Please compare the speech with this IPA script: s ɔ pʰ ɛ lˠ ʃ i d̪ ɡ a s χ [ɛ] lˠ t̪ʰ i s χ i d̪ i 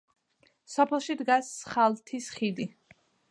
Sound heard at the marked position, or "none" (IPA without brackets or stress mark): a